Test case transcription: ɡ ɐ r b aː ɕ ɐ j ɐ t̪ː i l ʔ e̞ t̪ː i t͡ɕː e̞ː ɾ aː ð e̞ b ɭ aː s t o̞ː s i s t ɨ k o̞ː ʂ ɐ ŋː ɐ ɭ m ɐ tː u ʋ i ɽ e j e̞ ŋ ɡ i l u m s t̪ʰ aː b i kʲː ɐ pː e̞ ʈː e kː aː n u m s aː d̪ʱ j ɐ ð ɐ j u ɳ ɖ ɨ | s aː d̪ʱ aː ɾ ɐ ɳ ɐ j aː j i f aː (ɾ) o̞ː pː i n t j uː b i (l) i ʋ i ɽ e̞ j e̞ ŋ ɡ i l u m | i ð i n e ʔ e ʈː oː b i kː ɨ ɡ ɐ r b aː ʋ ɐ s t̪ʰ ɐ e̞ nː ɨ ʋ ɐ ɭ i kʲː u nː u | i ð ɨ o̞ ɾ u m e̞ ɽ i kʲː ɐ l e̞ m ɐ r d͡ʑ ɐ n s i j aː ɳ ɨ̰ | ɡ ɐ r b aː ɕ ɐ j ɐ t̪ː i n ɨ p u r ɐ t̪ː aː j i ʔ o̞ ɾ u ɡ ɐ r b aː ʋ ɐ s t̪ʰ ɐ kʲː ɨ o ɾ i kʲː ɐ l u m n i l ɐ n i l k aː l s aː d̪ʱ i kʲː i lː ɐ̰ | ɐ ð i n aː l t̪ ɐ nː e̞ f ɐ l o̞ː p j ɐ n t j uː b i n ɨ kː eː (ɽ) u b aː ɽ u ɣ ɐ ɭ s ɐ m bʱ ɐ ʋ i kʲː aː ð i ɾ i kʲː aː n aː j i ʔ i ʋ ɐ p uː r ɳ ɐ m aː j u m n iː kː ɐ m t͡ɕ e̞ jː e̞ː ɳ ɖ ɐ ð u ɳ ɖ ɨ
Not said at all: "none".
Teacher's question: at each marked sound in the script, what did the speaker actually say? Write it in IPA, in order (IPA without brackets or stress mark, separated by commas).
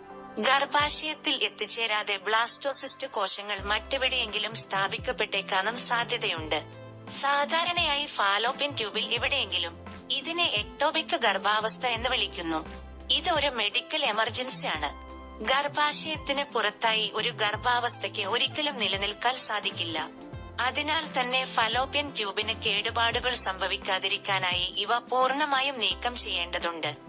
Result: l, l, ɽ